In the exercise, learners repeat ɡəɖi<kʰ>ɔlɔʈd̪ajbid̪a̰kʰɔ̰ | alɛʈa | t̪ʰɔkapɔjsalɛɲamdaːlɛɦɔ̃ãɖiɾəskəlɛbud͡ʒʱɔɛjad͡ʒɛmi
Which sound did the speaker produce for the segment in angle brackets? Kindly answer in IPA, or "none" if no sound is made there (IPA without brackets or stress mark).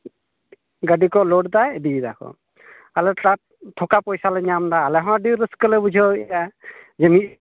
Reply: k